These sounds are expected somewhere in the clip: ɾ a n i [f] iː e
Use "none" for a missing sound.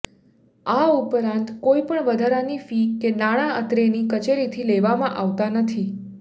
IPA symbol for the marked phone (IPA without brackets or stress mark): f